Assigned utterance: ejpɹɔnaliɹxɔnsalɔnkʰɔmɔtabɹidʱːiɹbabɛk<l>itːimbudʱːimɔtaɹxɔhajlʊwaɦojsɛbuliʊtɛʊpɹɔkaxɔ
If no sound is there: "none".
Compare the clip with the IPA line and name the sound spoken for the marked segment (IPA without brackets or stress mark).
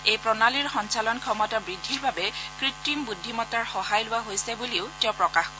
ɹ